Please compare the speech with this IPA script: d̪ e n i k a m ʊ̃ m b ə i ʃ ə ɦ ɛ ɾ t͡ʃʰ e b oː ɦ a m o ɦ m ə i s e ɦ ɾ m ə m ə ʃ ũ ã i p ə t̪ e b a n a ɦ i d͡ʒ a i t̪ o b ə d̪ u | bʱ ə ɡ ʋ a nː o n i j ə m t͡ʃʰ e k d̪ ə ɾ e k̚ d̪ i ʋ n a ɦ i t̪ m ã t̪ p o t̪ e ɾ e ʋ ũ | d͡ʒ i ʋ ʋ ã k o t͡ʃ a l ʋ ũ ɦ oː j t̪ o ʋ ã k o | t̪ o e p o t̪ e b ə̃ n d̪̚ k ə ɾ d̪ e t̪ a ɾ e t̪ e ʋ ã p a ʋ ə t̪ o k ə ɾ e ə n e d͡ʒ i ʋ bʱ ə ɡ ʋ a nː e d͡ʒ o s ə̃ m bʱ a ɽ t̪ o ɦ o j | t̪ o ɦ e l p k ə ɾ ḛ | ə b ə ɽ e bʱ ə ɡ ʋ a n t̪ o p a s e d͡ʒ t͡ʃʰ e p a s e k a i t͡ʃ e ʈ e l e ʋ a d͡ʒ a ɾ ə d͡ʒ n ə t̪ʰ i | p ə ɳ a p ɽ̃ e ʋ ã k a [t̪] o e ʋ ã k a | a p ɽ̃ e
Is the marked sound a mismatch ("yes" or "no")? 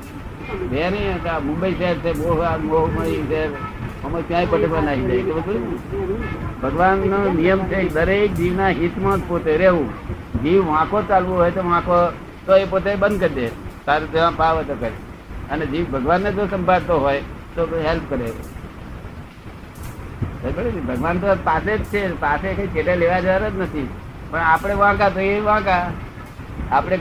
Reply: no